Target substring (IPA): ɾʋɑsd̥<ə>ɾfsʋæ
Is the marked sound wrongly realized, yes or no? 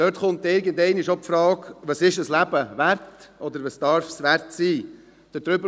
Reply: yes